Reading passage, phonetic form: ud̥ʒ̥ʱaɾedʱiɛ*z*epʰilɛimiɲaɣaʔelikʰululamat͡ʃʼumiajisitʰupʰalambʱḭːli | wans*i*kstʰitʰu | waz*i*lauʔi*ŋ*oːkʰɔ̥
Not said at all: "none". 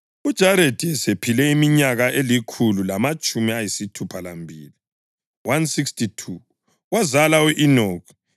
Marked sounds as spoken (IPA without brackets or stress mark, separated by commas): s, i, a, n